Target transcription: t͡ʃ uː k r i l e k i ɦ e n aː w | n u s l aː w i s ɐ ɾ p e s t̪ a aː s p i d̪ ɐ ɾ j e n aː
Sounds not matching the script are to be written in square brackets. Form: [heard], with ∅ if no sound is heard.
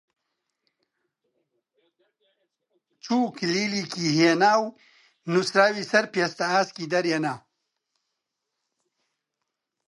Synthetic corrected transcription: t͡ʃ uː k [l] i l [i] k i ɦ e n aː w | n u s [ɾ] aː w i s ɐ ɾ p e s t̪ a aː s [k] i d̪ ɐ ɾ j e n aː